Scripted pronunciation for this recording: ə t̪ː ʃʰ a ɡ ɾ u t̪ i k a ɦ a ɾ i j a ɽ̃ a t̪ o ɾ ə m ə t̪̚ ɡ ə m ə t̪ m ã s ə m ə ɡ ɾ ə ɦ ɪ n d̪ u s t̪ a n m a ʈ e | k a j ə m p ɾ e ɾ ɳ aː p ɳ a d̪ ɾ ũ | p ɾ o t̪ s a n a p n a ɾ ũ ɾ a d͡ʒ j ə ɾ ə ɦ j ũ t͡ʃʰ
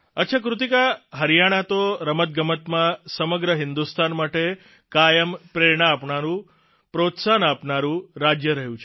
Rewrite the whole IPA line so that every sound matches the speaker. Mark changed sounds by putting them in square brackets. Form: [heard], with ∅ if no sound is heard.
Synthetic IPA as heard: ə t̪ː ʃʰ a [k] ɾ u t̪ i k a ɦ [ə] ɾ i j a ɽ̃ a t̪ o ɾ ə m ə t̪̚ ɡ ə m ə t̪ m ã s ə m ə ɡ ɾ ə ɦ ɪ n d̪ u s t̪ a n m a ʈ e | k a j ə m p ɾ e ɾ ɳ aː p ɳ a [∅] ɾ ũ | p ɾ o t̪ s a n a p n a ɾ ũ ɾ a d͡ʒ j ə ɾ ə ɦ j ũ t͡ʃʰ

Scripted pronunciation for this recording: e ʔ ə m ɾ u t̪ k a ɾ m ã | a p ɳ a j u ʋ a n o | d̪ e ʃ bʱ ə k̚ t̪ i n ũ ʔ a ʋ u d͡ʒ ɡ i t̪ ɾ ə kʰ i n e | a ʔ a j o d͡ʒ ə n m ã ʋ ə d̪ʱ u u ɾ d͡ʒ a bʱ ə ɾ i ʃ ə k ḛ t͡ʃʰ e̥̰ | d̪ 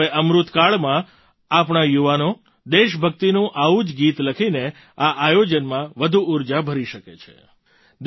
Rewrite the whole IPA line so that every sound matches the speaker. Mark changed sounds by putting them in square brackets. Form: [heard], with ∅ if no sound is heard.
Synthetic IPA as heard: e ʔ ə m ɾ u t̪ k a [ɭ] m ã | a p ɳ a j u ʋ a n o | d̪ e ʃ bʱ ə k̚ t̪ i n ũ ʔ a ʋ u d͡ʒ ɡ i t̪ [l] ə kʰ i n e | a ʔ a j o d͡ʒ ə n m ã ʋ ə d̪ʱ u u ɾ d͡ʒ a bʱ ə ɾ i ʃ ə k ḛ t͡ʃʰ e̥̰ | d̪

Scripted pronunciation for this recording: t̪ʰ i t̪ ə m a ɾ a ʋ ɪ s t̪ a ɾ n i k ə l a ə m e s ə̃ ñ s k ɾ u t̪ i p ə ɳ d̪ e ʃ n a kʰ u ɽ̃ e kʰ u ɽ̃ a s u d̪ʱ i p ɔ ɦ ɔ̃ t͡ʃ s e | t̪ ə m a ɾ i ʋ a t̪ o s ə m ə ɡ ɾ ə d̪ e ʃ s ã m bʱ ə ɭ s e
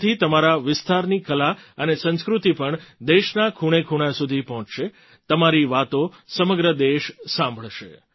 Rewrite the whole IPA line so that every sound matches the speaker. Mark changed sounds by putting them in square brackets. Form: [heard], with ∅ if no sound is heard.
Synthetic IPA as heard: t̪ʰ i t̪ ə m a ɾ a ʋ ɪ s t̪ a ɾ n i k ə l a ə [n] e s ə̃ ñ s k ɾ u t̪ i p ə ɳ d̪ e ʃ n a kʰ u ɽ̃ e kʰ u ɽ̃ a s u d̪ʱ i p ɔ ɦ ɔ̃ t͡ʃ [ʃ] e | t̪ ə m a ɾ i ʋ a t̪ o s ə m ə ɡ ɾ ə d̪ e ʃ s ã m bʱ ə ɭ [ʃ] e

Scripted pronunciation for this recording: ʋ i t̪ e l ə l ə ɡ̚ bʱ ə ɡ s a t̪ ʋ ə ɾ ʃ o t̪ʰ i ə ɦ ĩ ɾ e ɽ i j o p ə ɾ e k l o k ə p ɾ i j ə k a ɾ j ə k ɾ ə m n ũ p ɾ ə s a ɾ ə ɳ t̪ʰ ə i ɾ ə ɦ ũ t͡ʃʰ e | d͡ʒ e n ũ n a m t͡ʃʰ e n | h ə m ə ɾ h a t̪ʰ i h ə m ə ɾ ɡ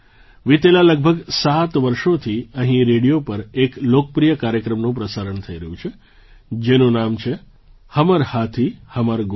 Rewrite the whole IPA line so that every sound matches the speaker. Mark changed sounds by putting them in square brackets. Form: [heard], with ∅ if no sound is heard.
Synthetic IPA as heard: ʋ i t̪ e l [a] l ə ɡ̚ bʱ ə ɡ s a t̪ ʋ ə ɾ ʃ o t̪ʰ i ə ɦ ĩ ɾ e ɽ i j o p ə ɾ e k l o k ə p ɾ i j ə k a ɾ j ə k ɾ ə m n ũ p ɾ ə s a ɾ ə ɳ t̪ʰ ə i ɾ ə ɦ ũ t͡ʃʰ e | d͡ʒ e n ũ n a m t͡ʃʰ e [∅] | h ə m ə ɾ h a t̪ʰ i h ə m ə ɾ ɡ

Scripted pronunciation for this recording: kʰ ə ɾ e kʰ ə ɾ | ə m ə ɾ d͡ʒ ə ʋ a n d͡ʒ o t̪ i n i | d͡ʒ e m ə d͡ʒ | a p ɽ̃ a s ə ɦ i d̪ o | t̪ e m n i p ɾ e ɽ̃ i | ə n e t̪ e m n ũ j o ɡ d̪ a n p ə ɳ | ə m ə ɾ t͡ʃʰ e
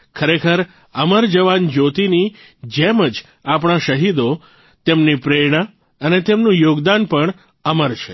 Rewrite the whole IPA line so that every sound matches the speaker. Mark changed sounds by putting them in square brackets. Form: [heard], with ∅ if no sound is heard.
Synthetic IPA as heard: kʰ ə ɾ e kʰ ə ɾ | ə m ə ɾ d͡ʒ ə ʋ a n d͡ʒ o t̪ i n i | d͡ʒ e m ə d͡ʒ | a p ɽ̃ a [ʃ] ə ɦ i d̪ o | t̪ e m n i p ɾ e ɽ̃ [a] | ə n e t̪ e m n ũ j o ɡ d̪ a n p ə ɳ | ə m ə ɾ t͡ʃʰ e

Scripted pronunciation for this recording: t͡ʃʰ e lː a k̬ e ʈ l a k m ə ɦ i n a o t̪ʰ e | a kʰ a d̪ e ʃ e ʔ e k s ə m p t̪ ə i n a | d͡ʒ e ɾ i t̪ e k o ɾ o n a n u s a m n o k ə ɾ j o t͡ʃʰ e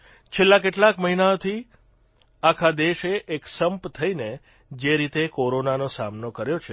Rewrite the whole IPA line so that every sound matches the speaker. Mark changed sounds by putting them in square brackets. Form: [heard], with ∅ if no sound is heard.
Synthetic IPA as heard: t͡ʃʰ e lː a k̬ e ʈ l a k m ə ɦ i n a o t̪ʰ [i] | a kʰ a d̪ e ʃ e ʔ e k s ə m p [t̪ʰ] ə i n [e] | d͡ʒ e ɾ i t̪ e k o ɾ o n a n [o] s a m n o k ə ɾ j o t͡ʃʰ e

